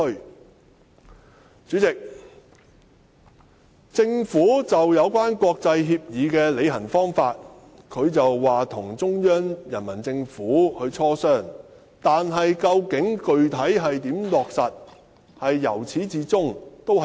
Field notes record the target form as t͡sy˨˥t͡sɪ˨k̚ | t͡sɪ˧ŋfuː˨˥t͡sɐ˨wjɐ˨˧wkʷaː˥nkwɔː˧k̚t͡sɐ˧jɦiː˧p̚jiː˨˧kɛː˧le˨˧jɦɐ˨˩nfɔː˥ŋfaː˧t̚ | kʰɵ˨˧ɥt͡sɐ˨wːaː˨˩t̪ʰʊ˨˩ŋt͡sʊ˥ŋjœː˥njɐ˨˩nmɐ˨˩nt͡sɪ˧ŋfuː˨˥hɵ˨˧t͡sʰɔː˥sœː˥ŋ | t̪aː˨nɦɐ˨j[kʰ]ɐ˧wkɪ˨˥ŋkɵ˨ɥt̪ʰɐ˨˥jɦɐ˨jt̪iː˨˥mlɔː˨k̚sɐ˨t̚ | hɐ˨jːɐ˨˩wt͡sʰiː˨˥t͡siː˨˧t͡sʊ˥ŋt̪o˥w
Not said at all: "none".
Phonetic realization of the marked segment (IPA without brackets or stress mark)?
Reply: k